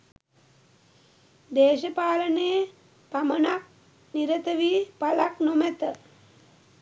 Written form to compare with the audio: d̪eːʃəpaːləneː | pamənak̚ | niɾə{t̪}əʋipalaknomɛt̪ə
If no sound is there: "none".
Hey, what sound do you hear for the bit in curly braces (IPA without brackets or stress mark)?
t̪